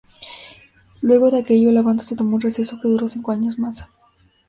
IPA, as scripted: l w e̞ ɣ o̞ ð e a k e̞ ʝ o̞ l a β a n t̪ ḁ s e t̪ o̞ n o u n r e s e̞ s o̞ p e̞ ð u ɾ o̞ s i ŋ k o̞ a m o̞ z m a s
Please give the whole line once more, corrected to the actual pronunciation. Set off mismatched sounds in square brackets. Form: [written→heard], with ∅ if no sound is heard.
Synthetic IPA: l w e̞ ɣ o̞ ð e a k e̞ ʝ o̞ l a β a n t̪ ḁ s e t̪ o̞ [n→m] o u n r e s e̞ s o̞ [p→k] e̞ ð u ɾ o̞ s i ŋ k o̞ a [m→ɲ] o̞ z m a s